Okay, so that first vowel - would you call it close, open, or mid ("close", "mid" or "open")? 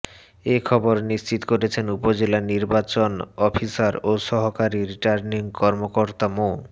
mid